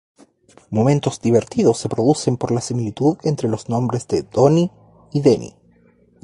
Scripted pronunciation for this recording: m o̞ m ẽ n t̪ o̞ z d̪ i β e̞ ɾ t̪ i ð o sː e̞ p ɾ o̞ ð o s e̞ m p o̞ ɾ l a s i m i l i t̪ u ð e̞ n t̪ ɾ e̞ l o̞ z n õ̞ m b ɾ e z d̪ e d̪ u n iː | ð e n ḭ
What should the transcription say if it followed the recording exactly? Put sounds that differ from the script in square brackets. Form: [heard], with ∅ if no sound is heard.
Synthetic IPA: m o̞ m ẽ n t̪ o̞ z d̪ i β e̞ ɾ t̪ i ð o sː e̞ p ɾ o̞ ð [u] s e̞ m p o̞ ɾ l a s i m i l i t̪ u ð e̞ n t̪ ɾ e̞ l o̞ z n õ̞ m b ɾ e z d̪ e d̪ [o] n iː | ð e n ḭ